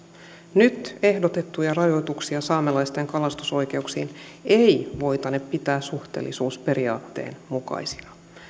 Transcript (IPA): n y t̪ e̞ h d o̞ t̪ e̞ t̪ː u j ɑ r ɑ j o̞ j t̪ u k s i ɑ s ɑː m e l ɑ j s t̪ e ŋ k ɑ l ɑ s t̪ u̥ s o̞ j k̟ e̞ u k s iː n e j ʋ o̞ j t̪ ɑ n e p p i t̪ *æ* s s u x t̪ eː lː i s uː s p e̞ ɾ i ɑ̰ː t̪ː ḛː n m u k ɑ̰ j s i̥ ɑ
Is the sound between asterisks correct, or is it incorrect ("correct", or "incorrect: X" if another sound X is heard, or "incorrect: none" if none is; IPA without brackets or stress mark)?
incorrect: æː